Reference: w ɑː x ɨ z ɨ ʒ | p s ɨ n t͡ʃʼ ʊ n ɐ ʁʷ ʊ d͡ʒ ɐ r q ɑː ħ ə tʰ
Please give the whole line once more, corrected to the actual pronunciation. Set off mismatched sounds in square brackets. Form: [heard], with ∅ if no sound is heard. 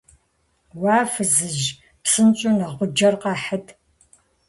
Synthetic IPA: w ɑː [f] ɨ z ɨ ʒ | p s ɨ n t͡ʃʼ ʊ n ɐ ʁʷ ʊ d͡ʒ ɐ r q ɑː ħ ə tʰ